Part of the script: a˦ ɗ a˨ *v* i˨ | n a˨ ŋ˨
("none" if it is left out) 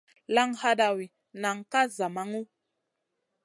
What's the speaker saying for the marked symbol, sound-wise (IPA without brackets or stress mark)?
w